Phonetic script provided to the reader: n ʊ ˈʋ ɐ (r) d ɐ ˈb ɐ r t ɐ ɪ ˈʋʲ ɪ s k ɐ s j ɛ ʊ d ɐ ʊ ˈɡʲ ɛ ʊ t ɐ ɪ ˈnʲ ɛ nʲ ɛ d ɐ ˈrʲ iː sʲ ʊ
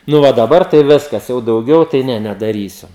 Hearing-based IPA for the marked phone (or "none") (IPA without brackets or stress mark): none